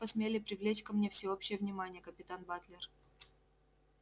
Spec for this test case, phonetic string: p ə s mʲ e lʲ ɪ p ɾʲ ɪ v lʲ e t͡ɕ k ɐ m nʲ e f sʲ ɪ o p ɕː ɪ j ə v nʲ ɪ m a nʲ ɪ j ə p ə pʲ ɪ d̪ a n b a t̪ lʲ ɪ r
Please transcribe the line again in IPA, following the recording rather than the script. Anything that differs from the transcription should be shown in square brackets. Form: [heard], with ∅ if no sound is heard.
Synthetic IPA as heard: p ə s mʲ e lʲ ɪ p ɾʲ ɪ v lʲ e t͡ɕ k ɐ m nʲ e f sʲ ɪ o p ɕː ɪ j ə v nʲ ɪ m a nʲ ɪ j ə [k] ə pʲ ɪ [t̪] a n b a t̪ lʲ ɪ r